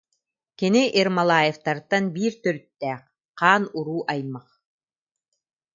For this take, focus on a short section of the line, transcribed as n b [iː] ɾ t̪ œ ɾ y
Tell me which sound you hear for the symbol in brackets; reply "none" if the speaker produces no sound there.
iː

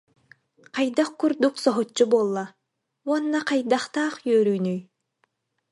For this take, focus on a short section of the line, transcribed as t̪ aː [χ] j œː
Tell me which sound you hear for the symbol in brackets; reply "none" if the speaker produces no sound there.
χ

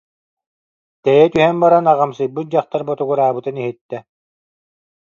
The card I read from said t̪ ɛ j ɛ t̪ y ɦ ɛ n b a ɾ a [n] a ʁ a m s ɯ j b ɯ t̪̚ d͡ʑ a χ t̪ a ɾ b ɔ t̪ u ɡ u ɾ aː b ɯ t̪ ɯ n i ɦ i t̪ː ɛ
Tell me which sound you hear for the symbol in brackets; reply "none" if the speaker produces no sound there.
n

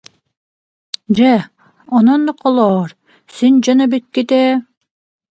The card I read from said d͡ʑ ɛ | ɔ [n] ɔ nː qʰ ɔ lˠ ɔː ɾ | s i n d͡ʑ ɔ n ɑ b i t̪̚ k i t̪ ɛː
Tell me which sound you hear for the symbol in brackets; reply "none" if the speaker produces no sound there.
n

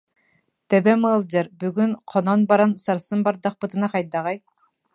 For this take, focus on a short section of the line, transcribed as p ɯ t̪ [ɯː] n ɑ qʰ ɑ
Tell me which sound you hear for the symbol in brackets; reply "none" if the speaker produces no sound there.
ɯ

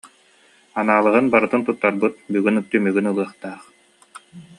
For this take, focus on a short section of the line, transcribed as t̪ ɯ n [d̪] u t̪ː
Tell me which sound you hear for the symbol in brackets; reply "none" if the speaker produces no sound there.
t̪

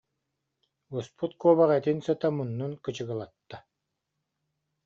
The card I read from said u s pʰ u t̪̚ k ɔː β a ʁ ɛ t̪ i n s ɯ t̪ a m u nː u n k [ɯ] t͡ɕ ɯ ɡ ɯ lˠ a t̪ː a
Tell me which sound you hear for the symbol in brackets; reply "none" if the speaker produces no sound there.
ɯ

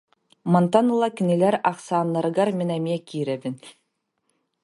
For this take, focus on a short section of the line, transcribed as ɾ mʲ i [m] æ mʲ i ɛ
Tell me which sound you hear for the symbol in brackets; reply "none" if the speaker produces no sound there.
n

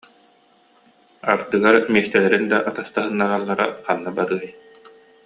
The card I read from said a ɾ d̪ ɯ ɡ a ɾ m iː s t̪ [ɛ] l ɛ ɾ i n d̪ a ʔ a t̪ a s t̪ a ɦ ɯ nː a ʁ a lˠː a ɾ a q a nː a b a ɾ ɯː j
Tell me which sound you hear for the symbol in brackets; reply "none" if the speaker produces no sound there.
ɛ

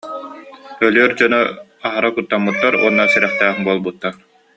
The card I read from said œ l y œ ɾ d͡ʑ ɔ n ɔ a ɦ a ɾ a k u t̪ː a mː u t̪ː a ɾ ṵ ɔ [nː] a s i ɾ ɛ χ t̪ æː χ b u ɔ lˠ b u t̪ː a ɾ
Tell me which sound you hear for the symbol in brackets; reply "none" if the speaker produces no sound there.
nː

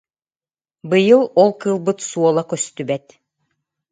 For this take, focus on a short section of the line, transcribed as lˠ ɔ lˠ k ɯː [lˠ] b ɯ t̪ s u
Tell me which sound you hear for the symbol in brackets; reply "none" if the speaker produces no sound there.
lˠ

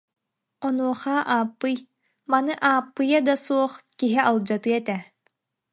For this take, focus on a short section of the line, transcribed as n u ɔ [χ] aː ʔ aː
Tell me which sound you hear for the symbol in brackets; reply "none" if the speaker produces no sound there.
χ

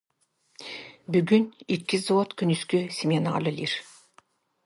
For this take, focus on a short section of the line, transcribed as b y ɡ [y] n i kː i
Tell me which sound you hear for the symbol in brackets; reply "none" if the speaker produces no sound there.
y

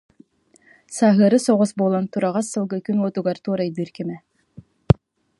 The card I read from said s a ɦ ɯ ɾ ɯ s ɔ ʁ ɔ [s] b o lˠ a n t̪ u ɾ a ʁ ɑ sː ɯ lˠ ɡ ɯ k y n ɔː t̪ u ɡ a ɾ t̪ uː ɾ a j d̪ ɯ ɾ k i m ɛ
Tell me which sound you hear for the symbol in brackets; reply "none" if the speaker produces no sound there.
s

